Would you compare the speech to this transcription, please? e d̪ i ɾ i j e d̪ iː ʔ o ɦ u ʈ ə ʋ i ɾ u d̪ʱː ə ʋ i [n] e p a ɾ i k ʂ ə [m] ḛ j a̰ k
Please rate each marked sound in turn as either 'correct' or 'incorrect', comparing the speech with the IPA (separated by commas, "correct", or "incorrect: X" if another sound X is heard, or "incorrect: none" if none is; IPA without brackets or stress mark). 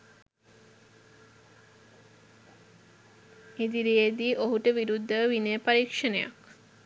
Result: correct, incorrect: n